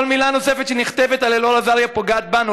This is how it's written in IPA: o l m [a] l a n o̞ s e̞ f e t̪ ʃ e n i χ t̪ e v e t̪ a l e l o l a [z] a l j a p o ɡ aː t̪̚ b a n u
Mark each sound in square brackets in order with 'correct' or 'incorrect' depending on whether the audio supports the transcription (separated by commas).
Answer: incorrect, correct